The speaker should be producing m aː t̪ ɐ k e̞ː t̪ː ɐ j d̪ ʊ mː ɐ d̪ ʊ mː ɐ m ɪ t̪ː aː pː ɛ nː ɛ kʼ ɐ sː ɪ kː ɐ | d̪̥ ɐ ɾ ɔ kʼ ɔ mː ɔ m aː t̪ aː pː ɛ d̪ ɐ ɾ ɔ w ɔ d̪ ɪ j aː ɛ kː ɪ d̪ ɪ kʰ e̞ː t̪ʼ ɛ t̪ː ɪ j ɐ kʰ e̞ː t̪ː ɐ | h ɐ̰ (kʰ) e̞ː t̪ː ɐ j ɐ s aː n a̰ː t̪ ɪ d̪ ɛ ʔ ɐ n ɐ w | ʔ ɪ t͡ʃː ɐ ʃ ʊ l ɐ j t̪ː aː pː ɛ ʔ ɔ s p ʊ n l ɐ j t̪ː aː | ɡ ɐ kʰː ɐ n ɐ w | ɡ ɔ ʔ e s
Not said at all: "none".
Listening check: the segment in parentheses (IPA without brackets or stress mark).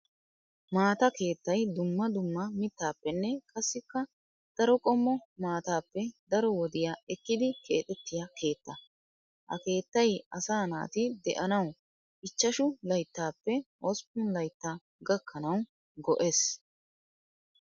k